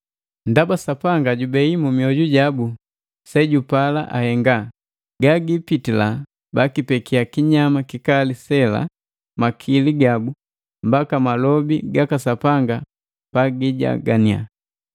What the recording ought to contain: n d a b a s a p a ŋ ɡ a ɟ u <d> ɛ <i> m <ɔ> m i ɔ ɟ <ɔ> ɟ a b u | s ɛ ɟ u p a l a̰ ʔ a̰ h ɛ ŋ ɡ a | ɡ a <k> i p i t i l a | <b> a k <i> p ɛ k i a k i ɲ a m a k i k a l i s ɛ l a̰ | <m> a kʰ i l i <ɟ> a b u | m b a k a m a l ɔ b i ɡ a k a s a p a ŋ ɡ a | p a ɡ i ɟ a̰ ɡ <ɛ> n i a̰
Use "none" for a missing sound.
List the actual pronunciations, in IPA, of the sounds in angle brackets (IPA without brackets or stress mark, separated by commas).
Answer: b, i, u, u, ɡ, b, i, m, ɡ, a